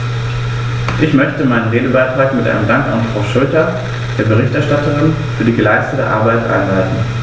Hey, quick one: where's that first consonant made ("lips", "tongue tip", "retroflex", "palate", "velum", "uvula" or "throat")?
throat